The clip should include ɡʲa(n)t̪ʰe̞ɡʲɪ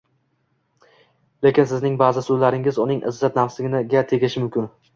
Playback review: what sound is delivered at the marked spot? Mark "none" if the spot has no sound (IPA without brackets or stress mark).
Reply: none